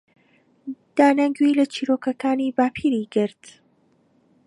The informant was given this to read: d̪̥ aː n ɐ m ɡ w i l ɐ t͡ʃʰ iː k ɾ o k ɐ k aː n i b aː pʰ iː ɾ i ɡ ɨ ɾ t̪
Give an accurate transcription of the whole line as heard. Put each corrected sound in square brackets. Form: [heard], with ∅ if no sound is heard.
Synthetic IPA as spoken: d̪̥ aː n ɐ [ŋ] ɡ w i l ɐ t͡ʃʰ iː [∅] ɾ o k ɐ k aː n i b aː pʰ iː ɾ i ɡ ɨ ɾ t̪